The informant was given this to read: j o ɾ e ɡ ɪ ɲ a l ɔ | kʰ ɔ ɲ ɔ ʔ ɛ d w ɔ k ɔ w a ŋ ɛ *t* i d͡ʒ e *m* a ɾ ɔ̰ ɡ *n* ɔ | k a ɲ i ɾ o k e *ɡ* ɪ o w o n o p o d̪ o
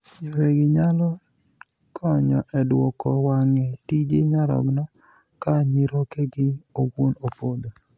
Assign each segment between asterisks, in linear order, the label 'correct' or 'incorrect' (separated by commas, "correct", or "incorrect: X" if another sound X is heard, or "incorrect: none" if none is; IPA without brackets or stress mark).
correct, incorrect: ɲ, correct, correct